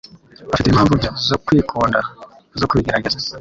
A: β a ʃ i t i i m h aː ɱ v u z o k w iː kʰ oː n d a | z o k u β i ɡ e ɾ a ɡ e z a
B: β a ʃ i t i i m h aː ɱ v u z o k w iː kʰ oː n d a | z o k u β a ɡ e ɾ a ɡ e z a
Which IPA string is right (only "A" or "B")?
A